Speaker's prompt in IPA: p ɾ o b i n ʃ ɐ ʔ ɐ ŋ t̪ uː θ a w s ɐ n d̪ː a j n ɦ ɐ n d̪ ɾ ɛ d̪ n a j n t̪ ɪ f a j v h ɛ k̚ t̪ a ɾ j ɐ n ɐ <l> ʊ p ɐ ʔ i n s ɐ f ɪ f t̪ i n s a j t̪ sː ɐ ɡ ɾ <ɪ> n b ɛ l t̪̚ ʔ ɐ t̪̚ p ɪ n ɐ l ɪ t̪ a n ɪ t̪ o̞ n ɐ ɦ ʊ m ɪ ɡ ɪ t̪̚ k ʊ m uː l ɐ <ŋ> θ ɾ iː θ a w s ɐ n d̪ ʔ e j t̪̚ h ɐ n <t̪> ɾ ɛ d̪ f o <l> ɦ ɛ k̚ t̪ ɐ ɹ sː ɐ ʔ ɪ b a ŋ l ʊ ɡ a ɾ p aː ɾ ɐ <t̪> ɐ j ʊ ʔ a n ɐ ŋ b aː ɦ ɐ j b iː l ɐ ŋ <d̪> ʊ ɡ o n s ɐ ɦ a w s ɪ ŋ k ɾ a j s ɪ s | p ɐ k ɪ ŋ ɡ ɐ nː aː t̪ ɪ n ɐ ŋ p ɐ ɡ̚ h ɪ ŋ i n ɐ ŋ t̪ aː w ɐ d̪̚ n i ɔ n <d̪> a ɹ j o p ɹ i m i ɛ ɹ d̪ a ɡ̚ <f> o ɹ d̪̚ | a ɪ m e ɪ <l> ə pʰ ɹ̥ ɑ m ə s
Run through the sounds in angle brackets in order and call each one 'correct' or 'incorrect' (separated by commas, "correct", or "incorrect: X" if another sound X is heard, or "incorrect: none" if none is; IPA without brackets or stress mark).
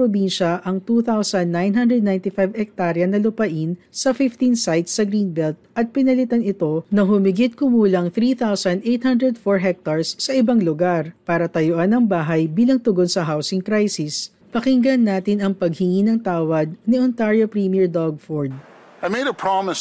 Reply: correct, incorrect: i, correct, incorrect: d̪, incorrect: ɹ, correct, incorrect: t̪, incorrect: t̪, correct, incorrect: ɾ